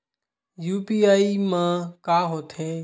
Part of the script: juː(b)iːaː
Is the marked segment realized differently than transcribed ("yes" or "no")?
yes